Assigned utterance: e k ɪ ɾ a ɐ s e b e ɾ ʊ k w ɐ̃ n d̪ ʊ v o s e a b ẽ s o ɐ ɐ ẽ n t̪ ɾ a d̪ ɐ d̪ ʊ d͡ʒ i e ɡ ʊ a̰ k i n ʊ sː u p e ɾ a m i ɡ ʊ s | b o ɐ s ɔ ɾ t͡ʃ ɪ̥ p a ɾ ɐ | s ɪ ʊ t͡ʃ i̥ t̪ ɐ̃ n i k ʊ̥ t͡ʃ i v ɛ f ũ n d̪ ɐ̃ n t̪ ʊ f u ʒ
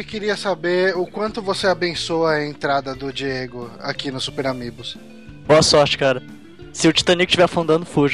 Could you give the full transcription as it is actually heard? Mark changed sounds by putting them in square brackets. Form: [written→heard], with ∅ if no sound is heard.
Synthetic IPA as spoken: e k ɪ ɾ [a→i] ɐ s [e→a] b e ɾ ʊ k w ɐ̃ n [d̪→t̪] ʊ v o s e a b ẽ s o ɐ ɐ ẽ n t̪ ɾ a d̪ ɐ d̪ ʊ d͡ʒ i e ɡ ʊ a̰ k i n ʊ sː u p e ɾ a m i ɡ ʊ s | b o ɐ s ɔ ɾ t͡ʃ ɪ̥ [p→k] a ɾ ɐ | s ɪ ʊ t͡ʃ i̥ t̪ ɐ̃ n i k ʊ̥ t͡ʃ i v ɛ f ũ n d̪ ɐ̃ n [t̪→d̪] ʊ f u ʒ